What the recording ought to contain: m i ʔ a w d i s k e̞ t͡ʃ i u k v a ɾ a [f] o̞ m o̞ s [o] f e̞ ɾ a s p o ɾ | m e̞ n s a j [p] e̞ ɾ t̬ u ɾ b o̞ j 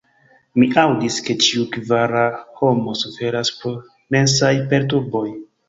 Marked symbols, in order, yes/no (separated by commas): no, no, yes